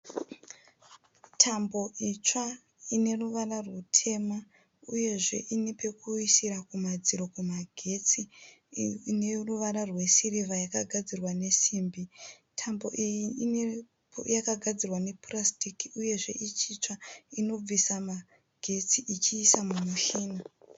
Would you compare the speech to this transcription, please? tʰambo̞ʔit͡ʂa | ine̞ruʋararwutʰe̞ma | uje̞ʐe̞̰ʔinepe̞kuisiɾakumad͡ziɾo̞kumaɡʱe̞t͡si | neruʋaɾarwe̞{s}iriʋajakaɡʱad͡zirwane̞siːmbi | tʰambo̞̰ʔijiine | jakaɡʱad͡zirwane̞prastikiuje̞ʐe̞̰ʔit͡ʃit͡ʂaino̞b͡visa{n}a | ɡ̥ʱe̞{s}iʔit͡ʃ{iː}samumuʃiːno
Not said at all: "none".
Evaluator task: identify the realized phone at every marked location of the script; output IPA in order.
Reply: s, m, t͡s, iː

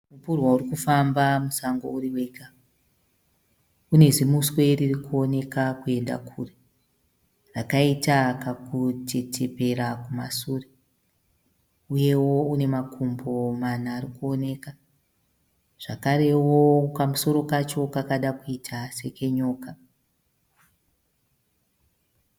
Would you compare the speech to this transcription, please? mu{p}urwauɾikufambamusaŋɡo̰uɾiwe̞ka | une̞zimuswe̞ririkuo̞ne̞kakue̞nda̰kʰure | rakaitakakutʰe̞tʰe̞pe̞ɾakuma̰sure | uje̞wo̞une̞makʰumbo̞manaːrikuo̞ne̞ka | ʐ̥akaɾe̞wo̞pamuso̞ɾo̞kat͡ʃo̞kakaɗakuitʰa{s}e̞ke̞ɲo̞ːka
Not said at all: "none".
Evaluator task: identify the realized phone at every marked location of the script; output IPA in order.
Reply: p, s

